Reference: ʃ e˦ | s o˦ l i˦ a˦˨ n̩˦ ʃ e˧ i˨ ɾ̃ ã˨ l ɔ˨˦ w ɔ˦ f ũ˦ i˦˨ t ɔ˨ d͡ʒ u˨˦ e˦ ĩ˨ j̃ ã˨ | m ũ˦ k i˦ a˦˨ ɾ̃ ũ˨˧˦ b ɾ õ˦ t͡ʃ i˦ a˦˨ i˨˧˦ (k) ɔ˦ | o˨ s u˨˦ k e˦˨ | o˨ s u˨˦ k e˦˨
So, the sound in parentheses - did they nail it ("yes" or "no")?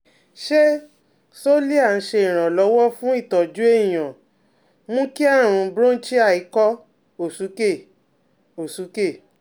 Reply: yes